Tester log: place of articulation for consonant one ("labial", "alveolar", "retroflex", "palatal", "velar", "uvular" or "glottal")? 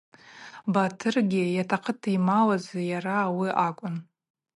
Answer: labial